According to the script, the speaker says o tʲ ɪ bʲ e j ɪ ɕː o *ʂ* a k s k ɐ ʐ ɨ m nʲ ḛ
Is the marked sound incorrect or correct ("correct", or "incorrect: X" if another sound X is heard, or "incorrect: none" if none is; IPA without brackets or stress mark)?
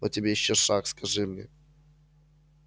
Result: correct